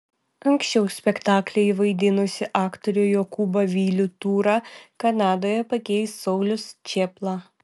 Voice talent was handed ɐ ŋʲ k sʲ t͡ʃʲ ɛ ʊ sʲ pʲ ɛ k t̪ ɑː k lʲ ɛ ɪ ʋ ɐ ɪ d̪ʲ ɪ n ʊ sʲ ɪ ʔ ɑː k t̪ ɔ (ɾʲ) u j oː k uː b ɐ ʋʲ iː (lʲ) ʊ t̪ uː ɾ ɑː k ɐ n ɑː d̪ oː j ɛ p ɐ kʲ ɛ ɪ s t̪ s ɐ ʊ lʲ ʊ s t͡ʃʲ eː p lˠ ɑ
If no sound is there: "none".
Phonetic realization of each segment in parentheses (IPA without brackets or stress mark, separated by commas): ɾʲ, lʲ